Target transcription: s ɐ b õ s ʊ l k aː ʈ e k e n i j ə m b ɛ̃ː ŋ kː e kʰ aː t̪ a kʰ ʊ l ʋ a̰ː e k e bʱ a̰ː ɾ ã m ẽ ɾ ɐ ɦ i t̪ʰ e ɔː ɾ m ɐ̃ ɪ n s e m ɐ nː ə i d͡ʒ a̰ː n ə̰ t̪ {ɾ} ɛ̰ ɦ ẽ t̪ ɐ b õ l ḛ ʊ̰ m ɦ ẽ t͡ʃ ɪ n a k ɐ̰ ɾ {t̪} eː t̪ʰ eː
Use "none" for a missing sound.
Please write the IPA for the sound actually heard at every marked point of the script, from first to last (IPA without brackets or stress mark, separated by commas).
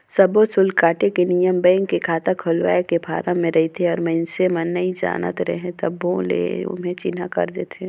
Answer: ɾ, d̪